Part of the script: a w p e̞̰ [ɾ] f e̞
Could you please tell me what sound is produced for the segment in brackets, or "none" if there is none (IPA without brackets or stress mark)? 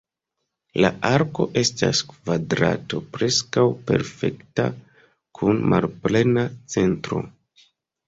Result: ɾ